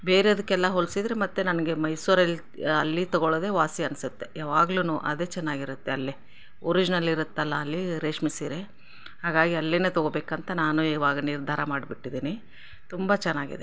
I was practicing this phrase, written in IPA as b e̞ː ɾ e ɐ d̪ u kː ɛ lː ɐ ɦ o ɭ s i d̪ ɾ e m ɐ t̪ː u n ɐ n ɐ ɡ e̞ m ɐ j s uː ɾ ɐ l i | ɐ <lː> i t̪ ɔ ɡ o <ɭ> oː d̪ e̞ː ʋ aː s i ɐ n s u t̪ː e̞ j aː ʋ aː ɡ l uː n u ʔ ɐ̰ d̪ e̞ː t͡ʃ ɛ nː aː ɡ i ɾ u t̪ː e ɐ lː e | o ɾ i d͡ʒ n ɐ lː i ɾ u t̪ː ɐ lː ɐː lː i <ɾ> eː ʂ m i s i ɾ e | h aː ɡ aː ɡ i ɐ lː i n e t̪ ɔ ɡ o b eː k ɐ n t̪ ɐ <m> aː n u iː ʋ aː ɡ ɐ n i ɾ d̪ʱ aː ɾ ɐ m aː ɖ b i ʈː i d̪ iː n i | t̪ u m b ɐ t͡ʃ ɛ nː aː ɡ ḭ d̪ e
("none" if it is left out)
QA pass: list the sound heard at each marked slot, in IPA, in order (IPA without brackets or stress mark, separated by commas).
lː, ɭ, ɾ, n